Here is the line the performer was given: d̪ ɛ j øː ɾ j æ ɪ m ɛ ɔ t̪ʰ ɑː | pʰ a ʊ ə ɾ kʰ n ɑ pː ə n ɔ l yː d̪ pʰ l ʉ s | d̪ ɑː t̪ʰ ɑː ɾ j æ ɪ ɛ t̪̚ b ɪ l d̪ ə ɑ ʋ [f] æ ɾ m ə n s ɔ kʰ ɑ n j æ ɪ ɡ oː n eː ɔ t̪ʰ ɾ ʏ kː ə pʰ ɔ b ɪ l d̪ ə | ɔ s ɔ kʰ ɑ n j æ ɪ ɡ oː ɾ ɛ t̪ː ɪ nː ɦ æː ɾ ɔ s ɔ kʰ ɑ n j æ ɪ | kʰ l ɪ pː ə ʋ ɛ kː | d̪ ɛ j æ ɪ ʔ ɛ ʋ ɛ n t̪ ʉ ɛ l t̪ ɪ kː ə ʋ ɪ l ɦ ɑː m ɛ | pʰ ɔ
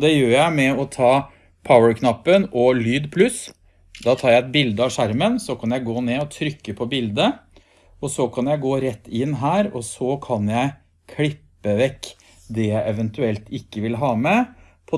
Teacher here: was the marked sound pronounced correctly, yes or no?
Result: no